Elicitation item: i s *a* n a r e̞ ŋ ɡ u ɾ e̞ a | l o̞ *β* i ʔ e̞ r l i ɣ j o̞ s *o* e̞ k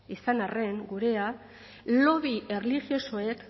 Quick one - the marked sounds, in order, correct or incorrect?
correct, correct, correct

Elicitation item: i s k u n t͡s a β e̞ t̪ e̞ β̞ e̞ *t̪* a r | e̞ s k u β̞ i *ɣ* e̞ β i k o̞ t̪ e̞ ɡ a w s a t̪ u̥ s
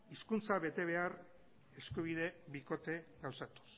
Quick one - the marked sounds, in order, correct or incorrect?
incorrect: none, incorrect: ð

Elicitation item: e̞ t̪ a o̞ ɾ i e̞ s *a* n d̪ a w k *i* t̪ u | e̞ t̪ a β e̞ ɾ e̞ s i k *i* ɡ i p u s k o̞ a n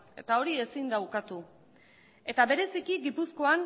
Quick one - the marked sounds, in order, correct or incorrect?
incorrect: i, incorrect: a, correct

